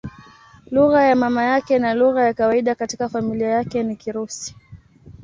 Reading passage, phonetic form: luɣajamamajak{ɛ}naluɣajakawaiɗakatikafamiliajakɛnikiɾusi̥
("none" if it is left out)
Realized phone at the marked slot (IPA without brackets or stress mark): ɛ